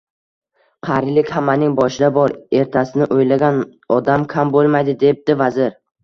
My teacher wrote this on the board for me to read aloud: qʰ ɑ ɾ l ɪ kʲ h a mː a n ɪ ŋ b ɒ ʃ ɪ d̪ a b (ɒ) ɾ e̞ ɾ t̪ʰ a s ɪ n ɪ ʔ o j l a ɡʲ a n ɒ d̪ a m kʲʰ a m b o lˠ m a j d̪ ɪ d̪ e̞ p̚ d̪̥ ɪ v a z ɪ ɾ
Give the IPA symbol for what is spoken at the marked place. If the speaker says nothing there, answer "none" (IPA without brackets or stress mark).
ɒ